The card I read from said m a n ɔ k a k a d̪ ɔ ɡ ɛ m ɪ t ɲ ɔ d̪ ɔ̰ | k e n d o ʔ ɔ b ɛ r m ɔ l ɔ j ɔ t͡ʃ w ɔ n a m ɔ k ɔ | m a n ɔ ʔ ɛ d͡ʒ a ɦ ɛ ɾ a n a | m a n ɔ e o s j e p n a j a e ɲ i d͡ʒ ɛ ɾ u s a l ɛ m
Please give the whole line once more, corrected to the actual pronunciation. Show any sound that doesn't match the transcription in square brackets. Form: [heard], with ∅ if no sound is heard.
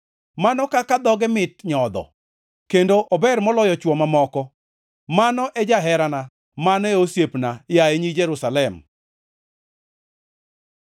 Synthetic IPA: m a n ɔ k a k a d̪ ɔ ɡ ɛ m ɪ t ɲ ɔ d̪ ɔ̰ | k e n d o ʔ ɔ b ɛ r m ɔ l ɔ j ɔ t͡ʃ w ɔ [m] a m ɔ k ɔ | m a n ɔ ʔ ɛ d͡ʒ a ɦ ɛ ɾ a n a | m a n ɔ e o s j e p n a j a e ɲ i d͡ʒ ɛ ɾ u s a l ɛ m